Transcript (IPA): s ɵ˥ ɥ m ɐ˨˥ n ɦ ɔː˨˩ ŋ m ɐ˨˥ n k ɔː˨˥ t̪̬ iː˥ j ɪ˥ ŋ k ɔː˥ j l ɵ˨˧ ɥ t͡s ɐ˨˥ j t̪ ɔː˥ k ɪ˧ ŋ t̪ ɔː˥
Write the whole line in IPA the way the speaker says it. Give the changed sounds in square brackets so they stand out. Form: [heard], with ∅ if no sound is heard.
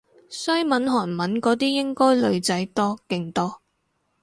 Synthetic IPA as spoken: s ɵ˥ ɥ m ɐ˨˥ n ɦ ɔː˨˩ [n] m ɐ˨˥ n k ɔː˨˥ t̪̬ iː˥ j ɪ˥ ŋ k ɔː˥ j l ɵ˨˧ ɥ t͡s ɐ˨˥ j t̪ ɔː˥ k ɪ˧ ŋ t̪ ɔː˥

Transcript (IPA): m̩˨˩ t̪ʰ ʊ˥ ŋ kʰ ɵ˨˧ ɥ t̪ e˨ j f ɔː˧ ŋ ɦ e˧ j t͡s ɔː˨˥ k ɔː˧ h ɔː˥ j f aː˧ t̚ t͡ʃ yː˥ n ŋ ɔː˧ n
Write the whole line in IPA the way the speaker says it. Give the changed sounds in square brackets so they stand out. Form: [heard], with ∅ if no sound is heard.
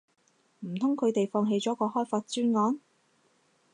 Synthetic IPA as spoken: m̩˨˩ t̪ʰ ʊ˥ ŋ kʰ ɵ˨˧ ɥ t̪ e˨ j f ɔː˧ ŋ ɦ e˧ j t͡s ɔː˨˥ k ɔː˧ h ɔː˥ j f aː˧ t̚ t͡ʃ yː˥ n ŋ [ɔː˨˥] n

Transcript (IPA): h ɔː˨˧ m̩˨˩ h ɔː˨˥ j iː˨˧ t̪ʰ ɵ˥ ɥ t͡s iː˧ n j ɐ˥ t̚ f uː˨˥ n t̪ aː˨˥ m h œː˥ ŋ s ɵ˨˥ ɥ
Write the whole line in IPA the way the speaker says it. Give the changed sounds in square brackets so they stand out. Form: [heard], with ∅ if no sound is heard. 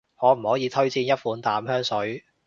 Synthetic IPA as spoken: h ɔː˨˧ m̩˨˩ h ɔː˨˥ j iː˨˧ t̪ʰ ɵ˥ ɥ t͡s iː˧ n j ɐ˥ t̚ f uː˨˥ n t̪ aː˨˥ m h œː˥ ŋ s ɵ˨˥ ɥ

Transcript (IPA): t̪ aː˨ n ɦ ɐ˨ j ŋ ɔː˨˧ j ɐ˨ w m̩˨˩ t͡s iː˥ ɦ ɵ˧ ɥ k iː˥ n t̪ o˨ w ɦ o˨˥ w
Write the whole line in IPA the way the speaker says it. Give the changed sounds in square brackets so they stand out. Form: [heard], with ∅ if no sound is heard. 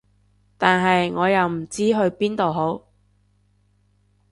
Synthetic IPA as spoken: t̪ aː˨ n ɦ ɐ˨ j ŋ ɔː˨˧ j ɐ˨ w m̩˨˩ t͡s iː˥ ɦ ɵ˧ ɥ [p] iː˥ n t̪ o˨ w ɦ o˨˥ w

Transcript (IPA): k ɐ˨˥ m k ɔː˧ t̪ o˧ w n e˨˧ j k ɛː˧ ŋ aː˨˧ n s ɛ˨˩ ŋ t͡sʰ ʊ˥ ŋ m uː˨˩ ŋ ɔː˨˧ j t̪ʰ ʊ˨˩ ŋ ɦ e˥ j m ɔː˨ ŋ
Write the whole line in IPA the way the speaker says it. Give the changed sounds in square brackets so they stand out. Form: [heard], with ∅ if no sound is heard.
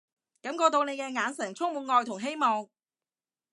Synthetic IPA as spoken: k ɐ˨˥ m k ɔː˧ t̪ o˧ w n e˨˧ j k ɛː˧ ŋ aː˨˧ n s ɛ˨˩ ŋ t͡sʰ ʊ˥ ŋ m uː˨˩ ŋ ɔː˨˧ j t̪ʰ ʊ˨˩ ŋ ɦ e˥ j m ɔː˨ ŋ

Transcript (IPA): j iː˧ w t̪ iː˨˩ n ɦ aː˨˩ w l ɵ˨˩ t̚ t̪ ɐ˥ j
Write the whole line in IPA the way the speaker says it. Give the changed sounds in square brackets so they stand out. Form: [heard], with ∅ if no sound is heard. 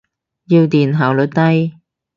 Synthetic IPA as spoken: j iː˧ w t̪ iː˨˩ n ɦ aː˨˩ w l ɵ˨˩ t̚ t̪ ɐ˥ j

